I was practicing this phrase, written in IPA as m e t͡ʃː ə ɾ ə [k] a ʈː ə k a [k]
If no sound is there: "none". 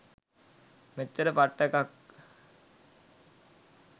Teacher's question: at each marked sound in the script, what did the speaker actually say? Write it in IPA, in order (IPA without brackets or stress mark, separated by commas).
p, k